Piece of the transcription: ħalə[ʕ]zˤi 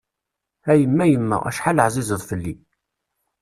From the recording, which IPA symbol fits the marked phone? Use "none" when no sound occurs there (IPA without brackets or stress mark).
ʕ